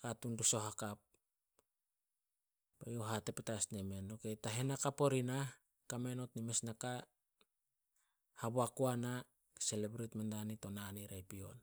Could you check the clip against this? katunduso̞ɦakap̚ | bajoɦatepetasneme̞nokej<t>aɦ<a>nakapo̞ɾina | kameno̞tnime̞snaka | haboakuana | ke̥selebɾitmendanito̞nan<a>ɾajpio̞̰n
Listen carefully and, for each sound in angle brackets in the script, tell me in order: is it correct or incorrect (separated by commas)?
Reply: correct, incorrect, incorrect